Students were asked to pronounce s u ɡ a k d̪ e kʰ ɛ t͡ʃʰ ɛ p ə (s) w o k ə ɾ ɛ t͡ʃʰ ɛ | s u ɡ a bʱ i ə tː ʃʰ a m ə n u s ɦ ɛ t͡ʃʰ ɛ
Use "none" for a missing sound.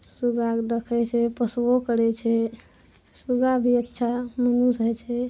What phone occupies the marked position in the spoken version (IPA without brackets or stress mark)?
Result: s